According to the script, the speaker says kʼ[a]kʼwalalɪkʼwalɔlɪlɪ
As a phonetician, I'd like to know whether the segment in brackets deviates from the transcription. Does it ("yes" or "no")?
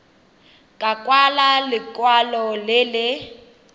no